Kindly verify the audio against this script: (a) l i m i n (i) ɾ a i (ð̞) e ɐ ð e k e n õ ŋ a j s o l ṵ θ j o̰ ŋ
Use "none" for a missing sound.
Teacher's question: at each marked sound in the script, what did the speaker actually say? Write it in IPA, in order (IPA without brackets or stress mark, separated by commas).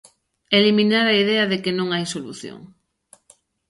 e, a, ð̞